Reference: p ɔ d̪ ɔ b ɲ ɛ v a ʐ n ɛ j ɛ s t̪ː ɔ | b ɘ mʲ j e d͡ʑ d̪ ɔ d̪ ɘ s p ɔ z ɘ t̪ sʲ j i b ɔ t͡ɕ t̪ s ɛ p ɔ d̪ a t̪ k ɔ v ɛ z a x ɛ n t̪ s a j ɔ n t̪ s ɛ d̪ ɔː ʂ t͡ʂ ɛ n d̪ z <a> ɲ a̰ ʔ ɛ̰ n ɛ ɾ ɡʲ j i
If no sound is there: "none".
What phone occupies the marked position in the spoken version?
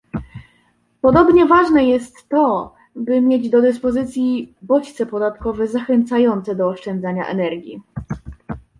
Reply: a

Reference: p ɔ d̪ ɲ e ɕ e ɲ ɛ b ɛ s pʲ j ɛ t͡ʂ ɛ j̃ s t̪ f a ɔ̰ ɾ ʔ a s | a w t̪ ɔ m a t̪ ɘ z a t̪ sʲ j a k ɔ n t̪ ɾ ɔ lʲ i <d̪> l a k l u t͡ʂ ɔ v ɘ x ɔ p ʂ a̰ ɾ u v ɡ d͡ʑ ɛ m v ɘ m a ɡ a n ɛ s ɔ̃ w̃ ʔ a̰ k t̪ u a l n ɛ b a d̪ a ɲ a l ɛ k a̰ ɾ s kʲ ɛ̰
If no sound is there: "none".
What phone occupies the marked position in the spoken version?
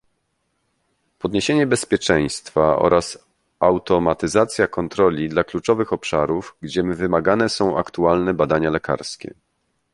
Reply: d̪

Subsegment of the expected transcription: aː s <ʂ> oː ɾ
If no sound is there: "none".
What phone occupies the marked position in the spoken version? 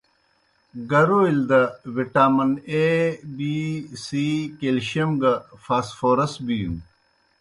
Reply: f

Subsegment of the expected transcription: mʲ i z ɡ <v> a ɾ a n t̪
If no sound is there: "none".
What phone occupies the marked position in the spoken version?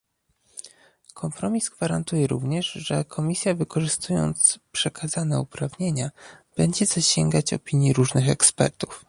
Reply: v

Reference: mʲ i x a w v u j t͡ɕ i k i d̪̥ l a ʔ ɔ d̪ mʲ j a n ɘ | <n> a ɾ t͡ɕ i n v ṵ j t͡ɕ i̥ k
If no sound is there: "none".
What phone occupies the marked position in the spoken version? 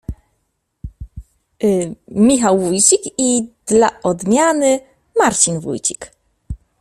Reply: m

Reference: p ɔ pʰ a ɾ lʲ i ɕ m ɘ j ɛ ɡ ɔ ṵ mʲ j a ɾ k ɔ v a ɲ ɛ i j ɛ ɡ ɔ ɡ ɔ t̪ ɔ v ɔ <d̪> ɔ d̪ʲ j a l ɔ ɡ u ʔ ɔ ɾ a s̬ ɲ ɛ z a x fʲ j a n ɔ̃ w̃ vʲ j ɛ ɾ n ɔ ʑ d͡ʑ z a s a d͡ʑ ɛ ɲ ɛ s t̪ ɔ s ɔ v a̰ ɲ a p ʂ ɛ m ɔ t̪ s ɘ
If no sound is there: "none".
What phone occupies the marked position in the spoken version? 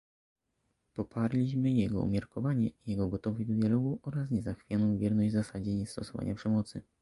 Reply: d̪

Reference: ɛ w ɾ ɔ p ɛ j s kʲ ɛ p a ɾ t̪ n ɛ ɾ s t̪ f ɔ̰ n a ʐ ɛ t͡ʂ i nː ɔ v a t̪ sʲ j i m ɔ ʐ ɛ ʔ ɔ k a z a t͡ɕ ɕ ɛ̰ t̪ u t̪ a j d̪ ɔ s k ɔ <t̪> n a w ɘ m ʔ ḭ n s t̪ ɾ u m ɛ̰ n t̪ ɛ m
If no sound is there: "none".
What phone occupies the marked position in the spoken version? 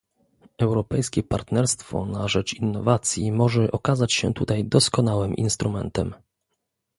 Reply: none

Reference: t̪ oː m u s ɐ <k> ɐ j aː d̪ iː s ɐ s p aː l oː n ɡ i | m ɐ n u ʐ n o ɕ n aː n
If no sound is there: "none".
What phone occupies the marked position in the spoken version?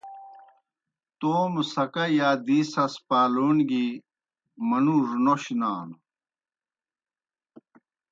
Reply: k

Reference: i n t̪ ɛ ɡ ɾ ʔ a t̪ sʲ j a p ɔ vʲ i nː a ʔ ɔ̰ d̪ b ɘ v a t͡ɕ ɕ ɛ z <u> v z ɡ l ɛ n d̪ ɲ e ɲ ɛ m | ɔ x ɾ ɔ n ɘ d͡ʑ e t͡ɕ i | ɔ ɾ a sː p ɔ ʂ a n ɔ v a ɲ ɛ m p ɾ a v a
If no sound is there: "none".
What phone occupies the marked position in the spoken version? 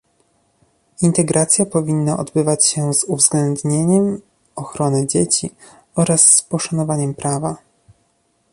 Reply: u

